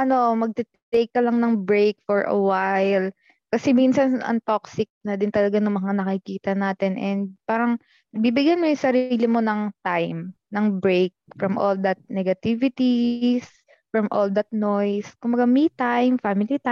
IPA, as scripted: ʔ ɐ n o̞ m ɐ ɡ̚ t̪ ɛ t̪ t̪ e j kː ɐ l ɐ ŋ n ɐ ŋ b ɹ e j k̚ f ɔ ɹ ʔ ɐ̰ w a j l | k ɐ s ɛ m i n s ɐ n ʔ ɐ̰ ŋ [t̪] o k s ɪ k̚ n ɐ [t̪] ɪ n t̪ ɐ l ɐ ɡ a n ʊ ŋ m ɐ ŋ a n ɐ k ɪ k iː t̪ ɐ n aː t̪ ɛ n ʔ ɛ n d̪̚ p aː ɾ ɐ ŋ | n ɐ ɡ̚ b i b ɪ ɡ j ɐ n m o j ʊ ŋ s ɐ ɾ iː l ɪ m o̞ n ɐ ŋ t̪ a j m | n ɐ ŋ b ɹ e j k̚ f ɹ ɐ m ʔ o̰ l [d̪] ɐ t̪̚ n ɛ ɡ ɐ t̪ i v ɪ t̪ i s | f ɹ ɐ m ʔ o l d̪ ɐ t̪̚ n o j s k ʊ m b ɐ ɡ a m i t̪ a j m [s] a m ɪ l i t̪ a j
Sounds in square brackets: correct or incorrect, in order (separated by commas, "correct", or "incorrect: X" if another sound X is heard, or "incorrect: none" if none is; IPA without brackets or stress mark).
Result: correct, incorrect: d̪, correct, incorrect: f